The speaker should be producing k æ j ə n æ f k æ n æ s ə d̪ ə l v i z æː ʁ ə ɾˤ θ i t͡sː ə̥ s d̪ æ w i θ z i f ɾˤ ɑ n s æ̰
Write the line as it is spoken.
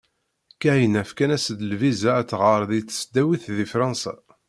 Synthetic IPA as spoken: k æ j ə n æ f k æ n æ s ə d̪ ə l v i z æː ʁ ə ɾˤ ð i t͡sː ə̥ s d̪ æ w i θ ð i f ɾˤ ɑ n s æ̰